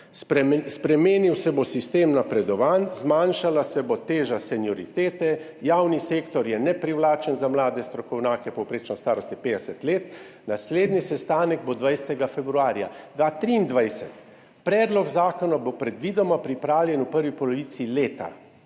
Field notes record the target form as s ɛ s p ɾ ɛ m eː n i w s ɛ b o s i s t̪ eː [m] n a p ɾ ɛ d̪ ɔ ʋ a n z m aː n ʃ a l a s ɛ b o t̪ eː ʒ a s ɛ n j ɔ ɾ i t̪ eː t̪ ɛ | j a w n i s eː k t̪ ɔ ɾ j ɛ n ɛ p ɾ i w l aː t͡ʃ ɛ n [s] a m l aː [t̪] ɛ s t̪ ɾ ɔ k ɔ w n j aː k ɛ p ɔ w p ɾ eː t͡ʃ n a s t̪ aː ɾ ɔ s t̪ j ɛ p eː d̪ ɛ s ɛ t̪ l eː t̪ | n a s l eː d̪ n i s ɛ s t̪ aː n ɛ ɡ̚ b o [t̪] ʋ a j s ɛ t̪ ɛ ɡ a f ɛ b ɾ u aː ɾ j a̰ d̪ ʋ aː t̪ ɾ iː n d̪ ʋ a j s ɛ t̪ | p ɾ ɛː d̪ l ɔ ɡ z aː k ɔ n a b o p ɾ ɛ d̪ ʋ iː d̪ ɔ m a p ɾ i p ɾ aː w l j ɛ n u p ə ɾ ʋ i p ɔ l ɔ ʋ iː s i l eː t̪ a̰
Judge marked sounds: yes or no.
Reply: yes, no, no, no

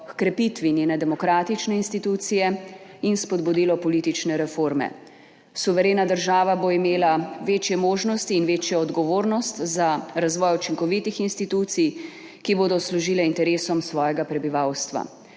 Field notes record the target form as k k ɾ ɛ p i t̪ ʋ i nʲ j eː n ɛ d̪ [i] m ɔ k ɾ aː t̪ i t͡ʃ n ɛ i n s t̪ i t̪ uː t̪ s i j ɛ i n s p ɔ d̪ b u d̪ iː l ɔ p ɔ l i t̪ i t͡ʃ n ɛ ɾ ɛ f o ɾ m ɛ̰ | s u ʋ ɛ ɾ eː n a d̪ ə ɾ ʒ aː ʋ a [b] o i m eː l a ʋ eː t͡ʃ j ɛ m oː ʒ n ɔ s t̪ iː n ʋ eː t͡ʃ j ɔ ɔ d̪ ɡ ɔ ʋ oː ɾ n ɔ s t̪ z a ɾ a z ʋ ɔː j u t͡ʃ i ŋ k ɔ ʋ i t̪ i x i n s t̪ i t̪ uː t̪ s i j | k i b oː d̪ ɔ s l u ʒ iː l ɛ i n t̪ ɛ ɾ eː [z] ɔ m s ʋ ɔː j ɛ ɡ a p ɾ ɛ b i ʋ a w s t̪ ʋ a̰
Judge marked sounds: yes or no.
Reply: no, yes, no

